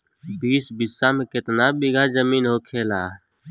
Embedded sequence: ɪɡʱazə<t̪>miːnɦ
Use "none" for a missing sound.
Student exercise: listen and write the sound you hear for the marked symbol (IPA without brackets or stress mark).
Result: none